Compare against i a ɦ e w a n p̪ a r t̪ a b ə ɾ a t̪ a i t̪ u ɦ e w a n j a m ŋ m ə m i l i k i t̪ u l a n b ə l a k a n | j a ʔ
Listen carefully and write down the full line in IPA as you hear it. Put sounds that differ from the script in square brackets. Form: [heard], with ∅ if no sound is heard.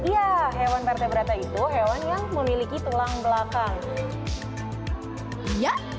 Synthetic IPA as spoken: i a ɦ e w a n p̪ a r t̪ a b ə ɾ a t̪ a i t̪ u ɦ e w a n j a [∅] ŋ m ə m i l i k i t̪ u l a [ŋ] b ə l a k a [ŋ] | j a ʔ